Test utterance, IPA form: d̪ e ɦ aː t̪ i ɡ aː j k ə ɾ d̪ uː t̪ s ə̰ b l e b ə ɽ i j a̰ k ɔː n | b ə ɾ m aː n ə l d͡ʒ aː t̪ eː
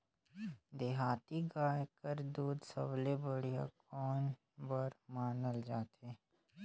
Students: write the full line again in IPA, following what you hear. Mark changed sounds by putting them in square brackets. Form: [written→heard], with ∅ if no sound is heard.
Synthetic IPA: d̪ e ɦ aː t̪ i ɡ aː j k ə ɾ d̪ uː [t̪→d̪] s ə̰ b l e b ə ɽ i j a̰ k ɔː n | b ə ɾ m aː n ə l d͡ʒ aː t̪ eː